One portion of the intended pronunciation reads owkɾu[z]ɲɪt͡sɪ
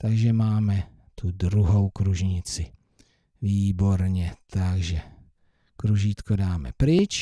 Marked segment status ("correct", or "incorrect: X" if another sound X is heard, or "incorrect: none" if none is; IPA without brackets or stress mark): incorrect: ʒ